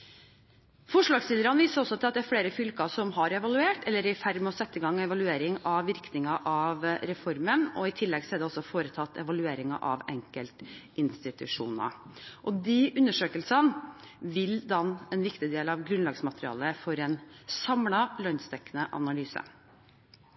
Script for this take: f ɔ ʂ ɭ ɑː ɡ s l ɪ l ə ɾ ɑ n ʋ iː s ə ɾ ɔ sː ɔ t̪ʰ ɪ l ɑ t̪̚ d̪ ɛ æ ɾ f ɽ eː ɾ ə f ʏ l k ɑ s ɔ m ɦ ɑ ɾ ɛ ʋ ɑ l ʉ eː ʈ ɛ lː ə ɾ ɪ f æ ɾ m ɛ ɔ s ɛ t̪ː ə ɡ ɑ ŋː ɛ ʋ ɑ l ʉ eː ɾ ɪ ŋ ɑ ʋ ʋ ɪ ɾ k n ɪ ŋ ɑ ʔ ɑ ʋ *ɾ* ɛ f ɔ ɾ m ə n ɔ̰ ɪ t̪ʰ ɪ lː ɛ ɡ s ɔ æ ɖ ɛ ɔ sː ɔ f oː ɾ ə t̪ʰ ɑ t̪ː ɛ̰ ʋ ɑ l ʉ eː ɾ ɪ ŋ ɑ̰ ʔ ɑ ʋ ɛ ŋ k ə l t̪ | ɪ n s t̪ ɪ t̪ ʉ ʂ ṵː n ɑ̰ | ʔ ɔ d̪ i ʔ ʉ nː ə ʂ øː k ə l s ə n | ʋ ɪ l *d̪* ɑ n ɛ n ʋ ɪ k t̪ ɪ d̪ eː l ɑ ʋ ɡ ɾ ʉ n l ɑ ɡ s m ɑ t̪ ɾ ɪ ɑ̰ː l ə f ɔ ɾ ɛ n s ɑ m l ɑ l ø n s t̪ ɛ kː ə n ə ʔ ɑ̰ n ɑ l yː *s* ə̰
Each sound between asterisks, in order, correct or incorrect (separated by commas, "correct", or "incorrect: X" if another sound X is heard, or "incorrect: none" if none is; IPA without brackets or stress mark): correct, correct, correct